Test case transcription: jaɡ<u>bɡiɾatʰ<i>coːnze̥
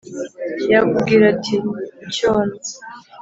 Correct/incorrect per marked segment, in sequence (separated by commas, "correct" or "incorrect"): correct, correct